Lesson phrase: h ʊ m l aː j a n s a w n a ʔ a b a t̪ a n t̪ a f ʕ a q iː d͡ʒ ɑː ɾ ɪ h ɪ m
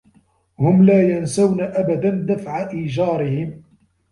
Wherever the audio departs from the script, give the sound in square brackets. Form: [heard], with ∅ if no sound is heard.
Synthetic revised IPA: h ʊ m l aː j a n s a w n a ʔ a b a [d̪] a n [d̪] a f ʕ a [ʔ] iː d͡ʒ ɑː ɾ ɪ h ɪ m